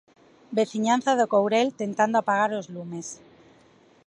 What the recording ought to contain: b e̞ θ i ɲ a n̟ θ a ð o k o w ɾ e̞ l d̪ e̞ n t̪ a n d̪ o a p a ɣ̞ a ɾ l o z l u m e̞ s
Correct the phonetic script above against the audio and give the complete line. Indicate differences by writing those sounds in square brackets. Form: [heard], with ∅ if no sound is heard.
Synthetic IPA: b e̞ θ i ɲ a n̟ θ a ð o k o w ɾ e̞ l [t̪] e̞ n t̪ a n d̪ o a p a ɣ̞ a ɾ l o z l u m e̞ s